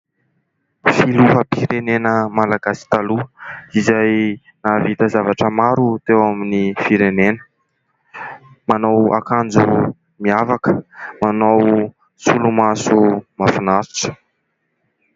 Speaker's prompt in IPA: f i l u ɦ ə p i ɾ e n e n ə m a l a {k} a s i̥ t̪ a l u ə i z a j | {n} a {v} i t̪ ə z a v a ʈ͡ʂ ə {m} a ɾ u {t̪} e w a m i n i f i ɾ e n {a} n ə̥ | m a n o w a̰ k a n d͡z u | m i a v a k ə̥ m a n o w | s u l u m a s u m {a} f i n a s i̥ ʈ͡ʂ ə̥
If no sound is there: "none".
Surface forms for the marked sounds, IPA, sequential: ɡ, n, v, m, t̪, e, a

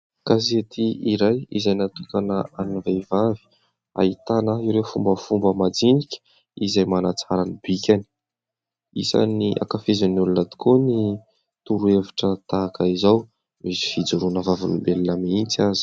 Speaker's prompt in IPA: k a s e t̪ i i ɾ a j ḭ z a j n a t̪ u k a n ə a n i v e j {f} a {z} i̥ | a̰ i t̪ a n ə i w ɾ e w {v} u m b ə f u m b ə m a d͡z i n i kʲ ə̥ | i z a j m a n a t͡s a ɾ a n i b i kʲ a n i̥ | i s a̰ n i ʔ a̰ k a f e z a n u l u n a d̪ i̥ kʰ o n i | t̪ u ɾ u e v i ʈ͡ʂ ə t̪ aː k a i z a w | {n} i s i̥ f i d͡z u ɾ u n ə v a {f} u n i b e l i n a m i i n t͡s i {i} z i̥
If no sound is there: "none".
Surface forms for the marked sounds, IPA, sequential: v, v, f, m, v, a

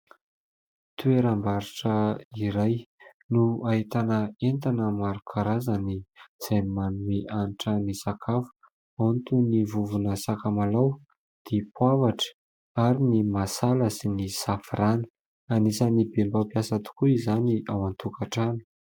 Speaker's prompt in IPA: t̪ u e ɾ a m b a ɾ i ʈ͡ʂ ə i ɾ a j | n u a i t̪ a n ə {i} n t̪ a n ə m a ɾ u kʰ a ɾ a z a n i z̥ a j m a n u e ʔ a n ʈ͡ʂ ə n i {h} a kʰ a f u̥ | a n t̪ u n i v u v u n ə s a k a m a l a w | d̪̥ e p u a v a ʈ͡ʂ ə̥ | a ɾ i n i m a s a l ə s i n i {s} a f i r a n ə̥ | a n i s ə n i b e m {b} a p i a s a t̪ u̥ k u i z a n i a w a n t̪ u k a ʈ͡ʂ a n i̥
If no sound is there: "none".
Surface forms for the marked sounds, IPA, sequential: e, s, s, b

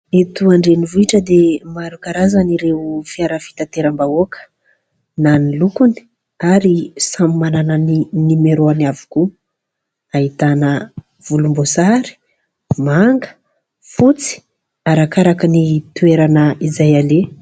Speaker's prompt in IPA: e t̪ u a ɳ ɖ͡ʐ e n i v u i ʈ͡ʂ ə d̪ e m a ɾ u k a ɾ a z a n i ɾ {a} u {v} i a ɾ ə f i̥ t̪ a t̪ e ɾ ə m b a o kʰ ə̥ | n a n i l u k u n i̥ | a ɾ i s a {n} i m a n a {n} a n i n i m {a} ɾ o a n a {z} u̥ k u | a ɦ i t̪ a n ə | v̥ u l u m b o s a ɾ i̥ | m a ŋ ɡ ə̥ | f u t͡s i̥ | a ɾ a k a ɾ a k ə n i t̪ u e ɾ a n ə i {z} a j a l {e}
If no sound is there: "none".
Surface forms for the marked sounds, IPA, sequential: e, f, m, n, e, v, z, e

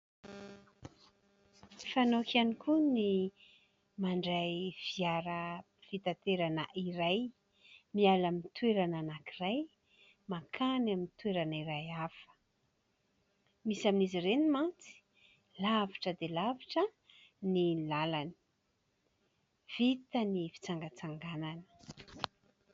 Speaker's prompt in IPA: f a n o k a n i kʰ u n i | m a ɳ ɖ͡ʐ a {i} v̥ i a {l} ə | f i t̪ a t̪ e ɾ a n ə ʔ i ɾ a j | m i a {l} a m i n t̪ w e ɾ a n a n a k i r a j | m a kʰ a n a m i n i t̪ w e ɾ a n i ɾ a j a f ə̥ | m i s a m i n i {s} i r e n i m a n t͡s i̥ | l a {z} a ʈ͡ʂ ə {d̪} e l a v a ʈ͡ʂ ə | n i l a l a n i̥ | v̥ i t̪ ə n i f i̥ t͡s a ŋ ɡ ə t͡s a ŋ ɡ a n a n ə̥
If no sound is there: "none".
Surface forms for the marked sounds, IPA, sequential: j, ɾ, l, z, v, d̪

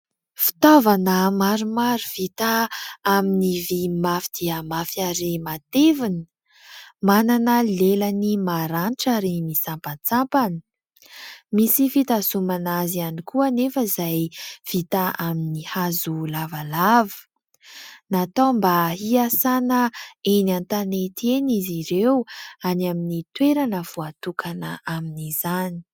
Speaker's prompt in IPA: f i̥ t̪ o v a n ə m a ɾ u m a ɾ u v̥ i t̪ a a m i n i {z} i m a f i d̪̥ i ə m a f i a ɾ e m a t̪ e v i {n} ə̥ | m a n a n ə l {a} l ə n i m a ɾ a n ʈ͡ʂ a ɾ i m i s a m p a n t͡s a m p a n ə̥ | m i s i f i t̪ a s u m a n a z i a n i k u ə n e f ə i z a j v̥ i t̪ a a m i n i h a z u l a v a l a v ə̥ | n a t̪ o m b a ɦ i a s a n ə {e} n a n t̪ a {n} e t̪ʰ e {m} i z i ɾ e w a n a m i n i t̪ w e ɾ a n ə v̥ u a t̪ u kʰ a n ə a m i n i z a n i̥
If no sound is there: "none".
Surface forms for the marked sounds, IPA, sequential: v, n, e, e, n, n

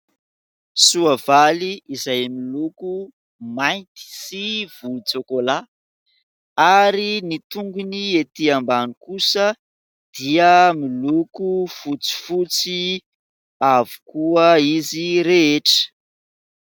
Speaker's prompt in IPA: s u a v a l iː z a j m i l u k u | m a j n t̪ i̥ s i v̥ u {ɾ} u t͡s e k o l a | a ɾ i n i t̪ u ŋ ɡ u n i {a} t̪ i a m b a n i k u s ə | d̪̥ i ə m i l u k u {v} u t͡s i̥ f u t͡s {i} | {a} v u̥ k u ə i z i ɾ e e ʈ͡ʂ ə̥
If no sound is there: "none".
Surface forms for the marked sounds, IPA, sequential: l, e, f, i, a

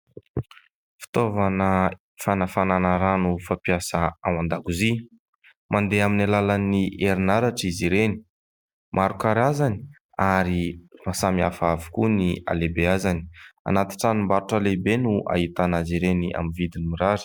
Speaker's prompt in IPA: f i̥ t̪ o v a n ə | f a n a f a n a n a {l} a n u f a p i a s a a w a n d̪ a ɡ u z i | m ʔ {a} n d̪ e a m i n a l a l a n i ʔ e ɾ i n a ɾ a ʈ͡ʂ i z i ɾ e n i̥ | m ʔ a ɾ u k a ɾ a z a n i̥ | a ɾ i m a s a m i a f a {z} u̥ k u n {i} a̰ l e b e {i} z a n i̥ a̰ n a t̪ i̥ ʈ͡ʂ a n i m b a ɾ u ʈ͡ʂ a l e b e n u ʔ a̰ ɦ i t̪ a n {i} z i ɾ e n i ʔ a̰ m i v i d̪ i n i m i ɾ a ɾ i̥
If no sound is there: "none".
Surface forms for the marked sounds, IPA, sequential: ɾ, a, v, i, a, a

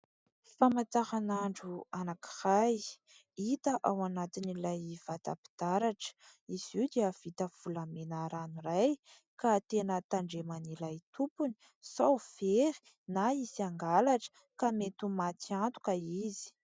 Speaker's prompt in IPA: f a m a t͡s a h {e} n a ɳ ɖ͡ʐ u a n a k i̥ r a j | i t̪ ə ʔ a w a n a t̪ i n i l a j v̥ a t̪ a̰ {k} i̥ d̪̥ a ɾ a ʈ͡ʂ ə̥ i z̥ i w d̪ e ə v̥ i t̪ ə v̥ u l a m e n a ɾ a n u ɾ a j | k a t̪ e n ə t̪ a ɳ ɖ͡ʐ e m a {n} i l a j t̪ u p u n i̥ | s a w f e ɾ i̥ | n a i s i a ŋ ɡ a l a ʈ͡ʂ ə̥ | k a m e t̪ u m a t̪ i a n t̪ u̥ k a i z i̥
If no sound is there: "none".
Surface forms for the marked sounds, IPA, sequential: a, p, n

